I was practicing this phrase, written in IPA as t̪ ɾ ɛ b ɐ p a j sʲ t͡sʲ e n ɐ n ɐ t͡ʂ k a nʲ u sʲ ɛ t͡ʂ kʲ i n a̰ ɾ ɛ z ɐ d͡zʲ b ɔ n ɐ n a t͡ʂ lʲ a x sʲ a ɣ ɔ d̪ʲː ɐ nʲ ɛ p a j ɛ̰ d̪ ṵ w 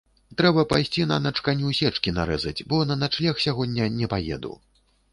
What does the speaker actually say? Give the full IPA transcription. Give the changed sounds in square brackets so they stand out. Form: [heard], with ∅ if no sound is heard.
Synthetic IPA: t̪ ɾ ɛ b ɐ p a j sʲ t͡sʲ [i] n ɐ n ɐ t͡ʂ k a nʲ u sʲ ɛ t͡ʂ kʲ i n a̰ ɾ ɛ z ɐ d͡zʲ b ɔ n ɐ n a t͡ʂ lʲ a x sʲ a ɣ ɔ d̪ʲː ɐ nʲ ɛ p a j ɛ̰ d̪ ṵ w